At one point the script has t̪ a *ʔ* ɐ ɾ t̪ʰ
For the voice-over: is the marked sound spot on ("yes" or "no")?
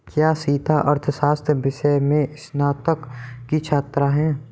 yes